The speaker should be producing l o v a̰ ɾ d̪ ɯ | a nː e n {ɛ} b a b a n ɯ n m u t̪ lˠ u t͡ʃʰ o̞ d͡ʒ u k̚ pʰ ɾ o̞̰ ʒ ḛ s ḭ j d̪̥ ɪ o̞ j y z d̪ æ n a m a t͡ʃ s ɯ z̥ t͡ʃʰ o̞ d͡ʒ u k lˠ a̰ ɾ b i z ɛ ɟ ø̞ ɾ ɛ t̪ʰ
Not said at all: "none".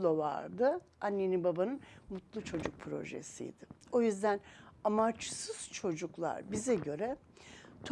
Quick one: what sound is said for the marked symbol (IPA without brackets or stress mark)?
i